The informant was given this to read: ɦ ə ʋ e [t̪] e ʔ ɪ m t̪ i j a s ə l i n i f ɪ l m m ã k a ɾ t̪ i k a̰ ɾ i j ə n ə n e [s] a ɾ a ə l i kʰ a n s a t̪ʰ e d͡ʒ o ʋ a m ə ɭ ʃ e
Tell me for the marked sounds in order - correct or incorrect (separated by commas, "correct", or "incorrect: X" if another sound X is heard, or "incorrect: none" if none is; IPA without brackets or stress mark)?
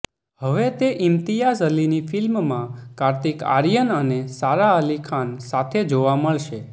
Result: correct, correct